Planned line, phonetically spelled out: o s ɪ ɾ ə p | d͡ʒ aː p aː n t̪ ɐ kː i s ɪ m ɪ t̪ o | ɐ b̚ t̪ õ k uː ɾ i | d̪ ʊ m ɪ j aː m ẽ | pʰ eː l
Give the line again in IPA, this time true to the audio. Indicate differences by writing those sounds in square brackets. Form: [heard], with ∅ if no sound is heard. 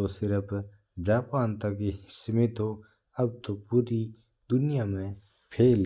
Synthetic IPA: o s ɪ ɾ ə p | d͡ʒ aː p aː n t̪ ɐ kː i s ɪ m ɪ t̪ o | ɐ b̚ t̪ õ [p] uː ɾ i | d̪ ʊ [n] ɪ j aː m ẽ | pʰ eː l